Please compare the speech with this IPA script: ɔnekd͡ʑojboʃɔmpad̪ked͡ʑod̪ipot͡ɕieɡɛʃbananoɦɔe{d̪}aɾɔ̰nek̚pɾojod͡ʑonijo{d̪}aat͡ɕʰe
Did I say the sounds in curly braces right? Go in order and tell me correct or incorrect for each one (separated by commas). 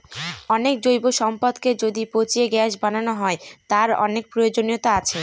incorrect, incorrect